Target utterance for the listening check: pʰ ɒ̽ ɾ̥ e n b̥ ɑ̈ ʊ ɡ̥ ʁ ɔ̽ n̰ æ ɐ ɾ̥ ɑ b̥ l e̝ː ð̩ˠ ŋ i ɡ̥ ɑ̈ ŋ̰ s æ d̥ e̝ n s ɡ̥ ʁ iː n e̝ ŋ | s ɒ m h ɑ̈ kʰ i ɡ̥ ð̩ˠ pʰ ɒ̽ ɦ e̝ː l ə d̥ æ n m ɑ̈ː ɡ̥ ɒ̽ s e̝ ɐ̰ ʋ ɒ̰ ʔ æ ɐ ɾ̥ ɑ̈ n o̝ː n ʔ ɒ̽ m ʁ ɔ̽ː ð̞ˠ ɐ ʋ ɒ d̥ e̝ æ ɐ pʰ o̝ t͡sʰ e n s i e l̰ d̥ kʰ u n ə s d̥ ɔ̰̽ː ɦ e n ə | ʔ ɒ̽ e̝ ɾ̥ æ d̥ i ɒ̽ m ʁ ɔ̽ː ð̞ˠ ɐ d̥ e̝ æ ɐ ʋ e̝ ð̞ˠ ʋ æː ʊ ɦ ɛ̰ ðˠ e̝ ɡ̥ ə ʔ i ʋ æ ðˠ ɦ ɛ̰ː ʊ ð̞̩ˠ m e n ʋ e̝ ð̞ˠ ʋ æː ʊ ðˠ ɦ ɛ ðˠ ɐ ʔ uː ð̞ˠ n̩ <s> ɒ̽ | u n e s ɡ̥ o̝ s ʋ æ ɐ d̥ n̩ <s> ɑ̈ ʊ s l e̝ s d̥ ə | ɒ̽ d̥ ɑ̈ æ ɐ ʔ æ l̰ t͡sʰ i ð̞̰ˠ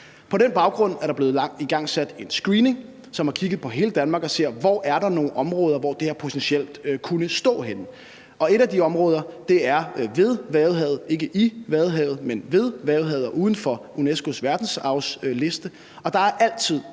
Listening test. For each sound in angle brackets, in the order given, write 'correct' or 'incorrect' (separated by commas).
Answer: incorrect, correct